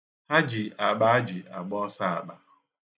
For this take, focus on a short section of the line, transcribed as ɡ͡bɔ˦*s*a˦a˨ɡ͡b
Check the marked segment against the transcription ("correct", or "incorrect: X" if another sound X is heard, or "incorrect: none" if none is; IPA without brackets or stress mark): correct